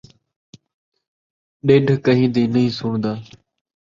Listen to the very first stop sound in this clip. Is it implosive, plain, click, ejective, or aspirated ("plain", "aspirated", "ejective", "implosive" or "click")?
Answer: implosive